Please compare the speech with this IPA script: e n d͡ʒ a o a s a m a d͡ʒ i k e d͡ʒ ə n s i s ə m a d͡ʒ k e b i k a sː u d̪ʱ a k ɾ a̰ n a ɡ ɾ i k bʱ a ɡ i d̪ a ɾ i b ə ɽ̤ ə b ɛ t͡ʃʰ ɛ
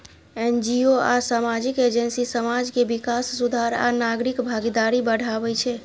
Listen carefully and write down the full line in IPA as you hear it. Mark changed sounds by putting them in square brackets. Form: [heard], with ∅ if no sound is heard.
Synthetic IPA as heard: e n d͡ʒ [i] o a s a m a d͡ʒ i k e d͡ʒ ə n s i s ə m a d͡ʒ k e b i k a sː u d̪ʱ a [∅] ɾ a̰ n a ɡ ɾ i k bʱ a ɡ i d̪ a ɾ i b ə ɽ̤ [a] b ɛ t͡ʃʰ ɛ